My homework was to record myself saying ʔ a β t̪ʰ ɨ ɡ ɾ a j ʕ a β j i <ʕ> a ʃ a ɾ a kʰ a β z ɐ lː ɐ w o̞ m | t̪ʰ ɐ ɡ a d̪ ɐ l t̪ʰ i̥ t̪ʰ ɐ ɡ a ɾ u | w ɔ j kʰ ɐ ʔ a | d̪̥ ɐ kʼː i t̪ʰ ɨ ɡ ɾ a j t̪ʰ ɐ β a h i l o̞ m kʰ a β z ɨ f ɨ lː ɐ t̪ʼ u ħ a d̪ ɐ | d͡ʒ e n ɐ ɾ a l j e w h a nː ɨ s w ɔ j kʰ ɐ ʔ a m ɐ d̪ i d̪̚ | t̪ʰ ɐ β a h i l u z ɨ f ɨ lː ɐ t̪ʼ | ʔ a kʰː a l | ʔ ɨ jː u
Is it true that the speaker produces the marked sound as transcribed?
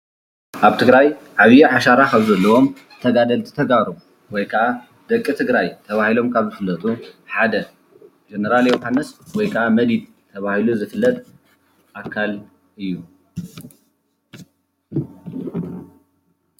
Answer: yes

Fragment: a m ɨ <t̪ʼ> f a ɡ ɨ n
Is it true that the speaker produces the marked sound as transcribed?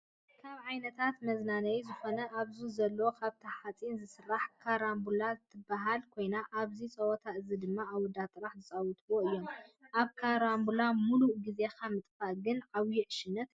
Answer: yes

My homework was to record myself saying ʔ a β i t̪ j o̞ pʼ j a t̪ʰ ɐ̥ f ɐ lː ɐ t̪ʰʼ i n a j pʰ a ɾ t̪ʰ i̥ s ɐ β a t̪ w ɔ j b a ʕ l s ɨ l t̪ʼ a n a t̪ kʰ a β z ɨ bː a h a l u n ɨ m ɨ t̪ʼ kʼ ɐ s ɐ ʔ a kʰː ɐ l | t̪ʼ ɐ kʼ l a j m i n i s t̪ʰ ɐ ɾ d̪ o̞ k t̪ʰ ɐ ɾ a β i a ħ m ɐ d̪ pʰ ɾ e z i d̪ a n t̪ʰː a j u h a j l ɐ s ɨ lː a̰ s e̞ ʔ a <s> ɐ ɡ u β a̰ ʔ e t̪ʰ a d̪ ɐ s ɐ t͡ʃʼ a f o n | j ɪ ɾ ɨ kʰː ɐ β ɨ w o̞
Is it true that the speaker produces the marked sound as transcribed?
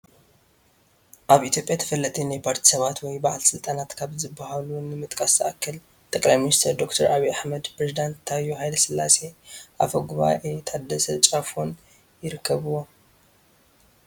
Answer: no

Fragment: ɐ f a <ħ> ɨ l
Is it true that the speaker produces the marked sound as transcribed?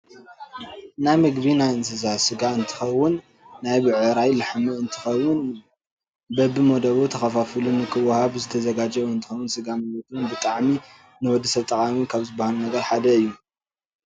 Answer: no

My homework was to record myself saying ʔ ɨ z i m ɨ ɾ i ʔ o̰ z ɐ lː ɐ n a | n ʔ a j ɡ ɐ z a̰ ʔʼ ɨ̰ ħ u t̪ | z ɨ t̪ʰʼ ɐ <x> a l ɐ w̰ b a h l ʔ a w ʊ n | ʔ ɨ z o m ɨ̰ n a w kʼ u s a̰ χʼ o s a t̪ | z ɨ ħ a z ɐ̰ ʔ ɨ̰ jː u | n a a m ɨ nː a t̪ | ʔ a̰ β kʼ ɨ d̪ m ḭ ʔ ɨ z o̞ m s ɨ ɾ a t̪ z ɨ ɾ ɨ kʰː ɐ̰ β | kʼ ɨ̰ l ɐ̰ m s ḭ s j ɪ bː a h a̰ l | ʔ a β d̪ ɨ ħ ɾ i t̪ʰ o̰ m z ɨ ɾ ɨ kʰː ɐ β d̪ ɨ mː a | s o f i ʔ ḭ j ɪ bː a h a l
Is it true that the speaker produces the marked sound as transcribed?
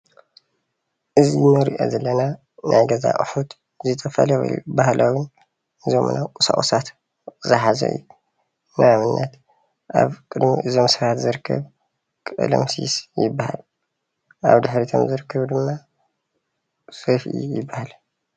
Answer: no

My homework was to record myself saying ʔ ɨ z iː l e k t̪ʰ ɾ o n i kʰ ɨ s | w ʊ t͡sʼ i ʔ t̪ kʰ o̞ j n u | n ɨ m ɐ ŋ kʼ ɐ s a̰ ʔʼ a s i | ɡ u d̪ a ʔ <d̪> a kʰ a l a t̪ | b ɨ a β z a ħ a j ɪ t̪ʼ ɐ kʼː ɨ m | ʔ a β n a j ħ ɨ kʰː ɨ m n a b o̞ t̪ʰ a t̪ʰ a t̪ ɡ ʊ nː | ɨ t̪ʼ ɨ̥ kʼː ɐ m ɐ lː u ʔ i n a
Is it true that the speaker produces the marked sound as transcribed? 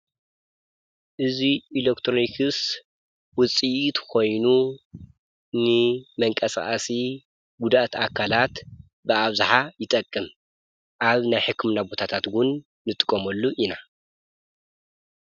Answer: no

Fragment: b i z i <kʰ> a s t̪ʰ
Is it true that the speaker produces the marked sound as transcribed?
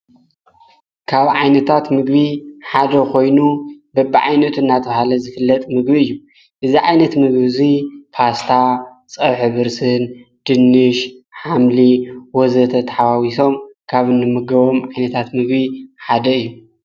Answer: no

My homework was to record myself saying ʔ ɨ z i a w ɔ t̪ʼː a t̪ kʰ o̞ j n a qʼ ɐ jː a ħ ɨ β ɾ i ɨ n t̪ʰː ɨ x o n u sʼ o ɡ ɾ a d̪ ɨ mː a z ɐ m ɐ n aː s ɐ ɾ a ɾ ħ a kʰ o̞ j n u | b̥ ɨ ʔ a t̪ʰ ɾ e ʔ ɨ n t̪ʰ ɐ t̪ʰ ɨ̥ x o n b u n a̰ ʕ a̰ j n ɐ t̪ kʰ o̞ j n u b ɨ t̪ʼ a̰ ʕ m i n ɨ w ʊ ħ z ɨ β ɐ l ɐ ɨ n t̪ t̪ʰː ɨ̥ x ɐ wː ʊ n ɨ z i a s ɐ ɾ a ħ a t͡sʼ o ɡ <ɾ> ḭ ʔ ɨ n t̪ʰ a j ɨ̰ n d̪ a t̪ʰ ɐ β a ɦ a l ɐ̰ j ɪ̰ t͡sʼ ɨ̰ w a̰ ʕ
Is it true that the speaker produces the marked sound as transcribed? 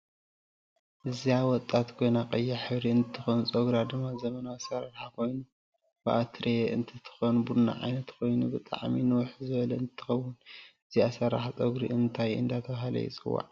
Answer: yes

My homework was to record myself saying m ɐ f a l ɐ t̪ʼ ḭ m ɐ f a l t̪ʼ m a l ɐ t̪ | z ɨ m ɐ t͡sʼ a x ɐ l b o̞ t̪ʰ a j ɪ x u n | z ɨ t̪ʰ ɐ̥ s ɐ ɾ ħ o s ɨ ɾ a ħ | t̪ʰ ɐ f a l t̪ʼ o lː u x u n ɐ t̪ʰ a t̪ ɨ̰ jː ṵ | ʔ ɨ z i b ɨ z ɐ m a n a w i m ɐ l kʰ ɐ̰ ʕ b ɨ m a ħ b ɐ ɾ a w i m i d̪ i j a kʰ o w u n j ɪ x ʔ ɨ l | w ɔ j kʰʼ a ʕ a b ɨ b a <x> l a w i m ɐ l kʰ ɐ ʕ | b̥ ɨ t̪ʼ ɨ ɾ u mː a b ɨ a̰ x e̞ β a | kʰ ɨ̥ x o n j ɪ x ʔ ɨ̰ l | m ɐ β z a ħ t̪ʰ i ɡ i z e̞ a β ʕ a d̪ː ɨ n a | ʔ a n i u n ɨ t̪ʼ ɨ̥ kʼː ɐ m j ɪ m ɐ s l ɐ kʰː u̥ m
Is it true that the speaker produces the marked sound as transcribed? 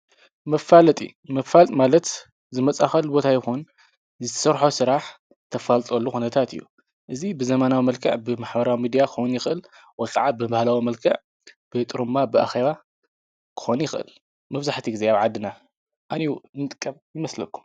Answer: no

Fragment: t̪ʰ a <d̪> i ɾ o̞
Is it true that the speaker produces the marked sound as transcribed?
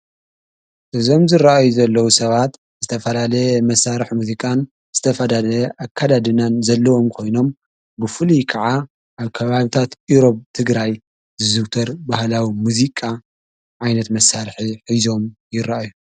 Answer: no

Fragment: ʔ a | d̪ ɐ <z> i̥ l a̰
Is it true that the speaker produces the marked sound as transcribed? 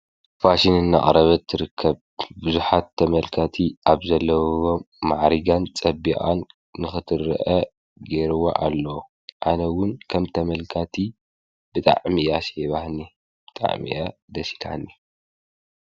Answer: no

